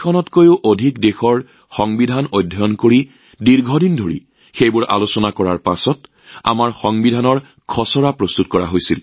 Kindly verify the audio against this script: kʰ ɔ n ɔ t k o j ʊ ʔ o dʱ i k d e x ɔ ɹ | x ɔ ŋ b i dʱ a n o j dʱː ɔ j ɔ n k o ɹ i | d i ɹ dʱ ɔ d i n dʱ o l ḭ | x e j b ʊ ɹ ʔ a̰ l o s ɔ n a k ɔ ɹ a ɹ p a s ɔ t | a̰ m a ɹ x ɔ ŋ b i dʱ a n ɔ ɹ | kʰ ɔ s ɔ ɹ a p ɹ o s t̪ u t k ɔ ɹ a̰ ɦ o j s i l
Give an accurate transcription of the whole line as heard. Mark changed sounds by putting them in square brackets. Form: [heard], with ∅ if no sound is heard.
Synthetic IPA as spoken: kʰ ɔ n ɔ t k o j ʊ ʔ o dʱ i k d e x ɔ ɹ | x ɔ ŋ b i dʱ a n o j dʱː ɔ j ɔ n k o ɹ i | d i ɹ [ɡʱ] ɔ d i n dʱ o [ɹ] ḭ | x e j b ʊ ɹ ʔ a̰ l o s ɔ n a k ɔ ɹ a ɹ p a s ɔ t | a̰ m a ɹ x ɔ ŋ b i dʱ a n ɔ ɹ | kʰ ɔ s ɔ ɹ a p ɹ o s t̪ u t k ɔ ɹ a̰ ɦ o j s i l